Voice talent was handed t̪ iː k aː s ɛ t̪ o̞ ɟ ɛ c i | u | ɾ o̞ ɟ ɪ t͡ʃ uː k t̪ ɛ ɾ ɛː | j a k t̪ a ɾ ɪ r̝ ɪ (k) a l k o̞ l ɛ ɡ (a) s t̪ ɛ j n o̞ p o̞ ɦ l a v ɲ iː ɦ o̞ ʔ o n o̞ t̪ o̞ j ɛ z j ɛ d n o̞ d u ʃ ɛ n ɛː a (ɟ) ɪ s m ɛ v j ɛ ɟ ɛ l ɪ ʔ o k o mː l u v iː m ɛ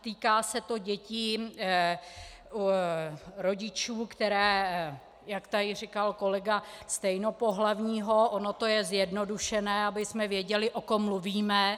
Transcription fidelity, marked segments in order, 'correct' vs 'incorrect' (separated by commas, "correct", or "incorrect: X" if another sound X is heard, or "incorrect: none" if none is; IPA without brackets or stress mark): correct, correct, incorrect: b